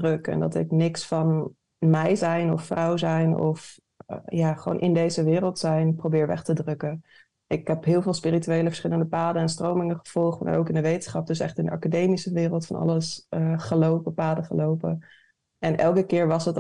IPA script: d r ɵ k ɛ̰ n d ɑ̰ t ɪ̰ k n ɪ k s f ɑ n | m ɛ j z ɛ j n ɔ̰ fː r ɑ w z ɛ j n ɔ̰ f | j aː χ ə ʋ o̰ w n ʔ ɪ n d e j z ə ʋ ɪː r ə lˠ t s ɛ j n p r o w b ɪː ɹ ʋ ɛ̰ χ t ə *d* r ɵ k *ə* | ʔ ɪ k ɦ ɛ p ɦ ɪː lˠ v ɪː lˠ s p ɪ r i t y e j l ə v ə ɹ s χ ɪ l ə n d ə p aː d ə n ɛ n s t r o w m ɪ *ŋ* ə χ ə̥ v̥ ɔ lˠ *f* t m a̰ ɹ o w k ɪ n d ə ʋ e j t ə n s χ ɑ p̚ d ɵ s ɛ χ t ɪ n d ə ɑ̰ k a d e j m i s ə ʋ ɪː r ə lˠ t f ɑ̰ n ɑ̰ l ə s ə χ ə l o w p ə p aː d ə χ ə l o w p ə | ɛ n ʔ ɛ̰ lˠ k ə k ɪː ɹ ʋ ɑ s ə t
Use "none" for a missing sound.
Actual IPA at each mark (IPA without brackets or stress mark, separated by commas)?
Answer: d, ə, ŋ, χ